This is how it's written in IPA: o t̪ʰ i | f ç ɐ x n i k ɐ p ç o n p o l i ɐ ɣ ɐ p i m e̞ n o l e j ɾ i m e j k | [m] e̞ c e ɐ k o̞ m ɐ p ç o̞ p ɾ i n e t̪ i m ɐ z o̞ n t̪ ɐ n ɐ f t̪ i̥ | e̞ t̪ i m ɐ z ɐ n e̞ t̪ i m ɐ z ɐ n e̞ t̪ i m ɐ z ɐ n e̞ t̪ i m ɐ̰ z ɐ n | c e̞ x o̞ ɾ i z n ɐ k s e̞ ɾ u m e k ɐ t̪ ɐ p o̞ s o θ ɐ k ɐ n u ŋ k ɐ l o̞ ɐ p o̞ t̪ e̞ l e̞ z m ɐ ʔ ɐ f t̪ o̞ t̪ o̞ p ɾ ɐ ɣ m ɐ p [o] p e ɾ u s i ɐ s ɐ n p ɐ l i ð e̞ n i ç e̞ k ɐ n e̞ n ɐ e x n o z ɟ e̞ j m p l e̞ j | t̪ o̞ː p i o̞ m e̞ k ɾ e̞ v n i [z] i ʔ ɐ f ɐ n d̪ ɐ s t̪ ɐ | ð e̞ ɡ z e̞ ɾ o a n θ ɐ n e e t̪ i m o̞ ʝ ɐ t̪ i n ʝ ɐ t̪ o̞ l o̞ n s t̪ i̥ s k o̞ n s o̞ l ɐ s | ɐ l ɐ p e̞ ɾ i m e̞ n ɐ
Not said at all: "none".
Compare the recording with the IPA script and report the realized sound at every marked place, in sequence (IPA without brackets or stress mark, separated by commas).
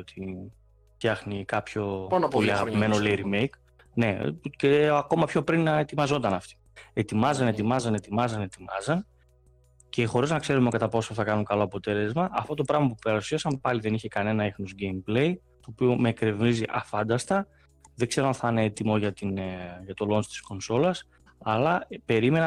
n, u, z